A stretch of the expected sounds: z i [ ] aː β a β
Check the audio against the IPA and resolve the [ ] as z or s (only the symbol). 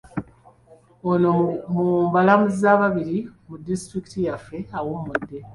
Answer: z